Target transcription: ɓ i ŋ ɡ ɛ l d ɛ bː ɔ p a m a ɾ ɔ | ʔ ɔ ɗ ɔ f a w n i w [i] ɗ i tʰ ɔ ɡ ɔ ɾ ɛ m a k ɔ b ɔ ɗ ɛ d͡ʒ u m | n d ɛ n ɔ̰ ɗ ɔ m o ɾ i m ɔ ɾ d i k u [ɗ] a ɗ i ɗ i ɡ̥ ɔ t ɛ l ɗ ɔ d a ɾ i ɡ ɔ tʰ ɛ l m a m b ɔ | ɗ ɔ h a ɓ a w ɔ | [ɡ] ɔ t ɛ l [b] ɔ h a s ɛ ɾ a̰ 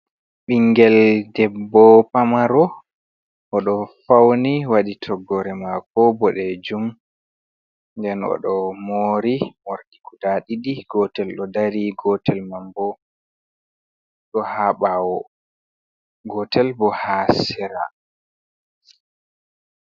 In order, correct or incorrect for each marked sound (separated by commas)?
incorrect, incorrect, correct, correct